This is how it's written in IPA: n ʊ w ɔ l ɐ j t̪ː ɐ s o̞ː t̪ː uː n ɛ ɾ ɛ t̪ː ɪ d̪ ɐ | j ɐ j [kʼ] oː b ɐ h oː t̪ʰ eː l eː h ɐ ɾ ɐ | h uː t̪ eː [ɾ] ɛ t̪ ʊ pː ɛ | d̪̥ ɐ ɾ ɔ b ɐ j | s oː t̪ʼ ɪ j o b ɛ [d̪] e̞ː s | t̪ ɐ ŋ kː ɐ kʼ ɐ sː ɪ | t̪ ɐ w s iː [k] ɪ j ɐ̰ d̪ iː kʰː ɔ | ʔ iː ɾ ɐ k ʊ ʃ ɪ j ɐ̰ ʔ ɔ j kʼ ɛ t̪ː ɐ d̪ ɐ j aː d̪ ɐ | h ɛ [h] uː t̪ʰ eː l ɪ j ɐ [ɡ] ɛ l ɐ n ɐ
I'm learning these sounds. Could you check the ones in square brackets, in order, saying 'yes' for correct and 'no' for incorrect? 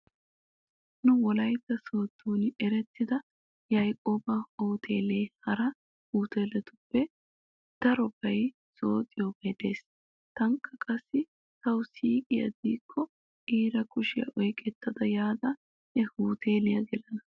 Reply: yes, no, yes, no, yes, yes

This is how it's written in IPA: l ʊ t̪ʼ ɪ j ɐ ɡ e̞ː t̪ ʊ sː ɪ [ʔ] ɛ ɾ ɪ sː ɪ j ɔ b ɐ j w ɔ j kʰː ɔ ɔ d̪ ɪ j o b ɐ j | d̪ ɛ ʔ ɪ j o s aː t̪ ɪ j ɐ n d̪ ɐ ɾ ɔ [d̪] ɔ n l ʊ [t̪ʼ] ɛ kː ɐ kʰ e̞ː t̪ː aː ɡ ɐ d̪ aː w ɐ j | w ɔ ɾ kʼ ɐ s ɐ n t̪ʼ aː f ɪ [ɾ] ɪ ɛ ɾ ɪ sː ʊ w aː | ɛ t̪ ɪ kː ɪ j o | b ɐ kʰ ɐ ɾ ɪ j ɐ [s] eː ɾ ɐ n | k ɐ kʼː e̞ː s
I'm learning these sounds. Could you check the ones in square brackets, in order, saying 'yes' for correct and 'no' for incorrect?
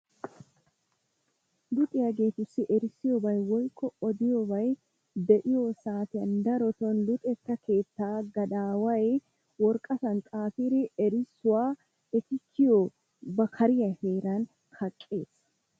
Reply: yes, no, yes, yes, no

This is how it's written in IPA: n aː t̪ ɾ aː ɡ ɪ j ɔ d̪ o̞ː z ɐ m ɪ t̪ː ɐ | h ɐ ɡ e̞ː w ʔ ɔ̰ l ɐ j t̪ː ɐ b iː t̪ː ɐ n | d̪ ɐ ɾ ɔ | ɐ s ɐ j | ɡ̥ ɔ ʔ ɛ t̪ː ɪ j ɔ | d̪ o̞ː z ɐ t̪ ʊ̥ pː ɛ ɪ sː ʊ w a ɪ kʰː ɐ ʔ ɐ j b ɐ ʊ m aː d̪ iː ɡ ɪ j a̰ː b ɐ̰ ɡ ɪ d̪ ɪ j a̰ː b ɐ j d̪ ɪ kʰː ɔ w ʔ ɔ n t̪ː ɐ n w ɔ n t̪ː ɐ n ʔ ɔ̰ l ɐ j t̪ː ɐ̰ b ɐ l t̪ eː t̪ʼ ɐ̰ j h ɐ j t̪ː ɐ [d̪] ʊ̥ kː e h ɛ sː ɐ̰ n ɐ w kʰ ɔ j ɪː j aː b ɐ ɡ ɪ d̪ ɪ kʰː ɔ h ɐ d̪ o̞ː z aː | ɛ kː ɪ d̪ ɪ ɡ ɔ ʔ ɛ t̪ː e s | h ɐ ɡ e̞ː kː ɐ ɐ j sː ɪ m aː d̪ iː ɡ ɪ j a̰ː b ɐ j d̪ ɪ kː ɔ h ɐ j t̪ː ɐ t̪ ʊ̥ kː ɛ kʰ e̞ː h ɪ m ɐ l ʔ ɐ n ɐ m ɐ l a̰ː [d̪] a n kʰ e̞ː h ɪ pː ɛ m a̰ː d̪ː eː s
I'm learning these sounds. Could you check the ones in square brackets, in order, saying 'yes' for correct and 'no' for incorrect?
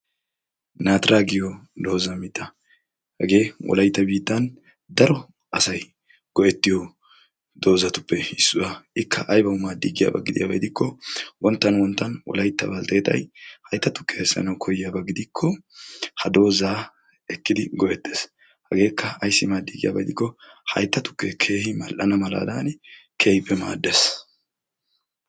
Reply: no, yes

